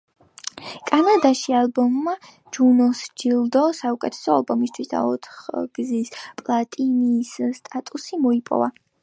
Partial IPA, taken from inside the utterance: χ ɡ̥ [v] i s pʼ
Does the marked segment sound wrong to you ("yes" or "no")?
yes